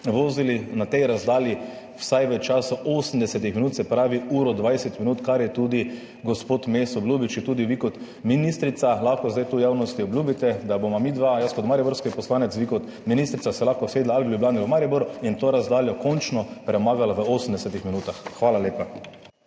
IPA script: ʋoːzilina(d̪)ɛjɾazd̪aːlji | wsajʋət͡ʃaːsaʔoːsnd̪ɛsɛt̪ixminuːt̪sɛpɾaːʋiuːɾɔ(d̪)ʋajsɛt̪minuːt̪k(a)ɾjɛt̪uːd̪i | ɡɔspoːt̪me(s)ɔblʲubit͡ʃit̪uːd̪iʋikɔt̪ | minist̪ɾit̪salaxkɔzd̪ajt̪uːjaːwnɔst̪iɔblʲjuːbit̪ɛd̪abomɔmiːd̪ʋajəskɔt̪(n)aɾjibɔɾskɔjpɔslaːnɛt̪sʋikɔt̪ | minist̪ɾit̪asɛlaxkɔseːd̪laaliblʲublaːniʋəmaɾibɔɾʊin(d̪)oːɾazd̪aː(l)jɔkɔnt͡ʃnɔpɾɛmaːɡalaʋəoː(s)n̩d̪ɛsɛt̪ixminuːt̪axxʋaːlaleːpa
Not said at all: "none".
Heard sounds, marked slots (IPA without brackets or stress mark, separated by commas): t̪, d̪, a, s, m, t̪, l, s